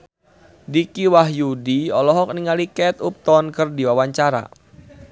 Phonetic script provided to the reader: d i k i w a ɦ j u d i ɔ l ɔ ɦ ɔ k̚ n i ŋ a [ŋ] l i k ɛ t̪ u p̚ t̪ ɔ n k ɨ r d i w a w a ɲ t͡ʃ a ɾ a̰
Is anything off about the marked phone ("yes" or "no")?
yes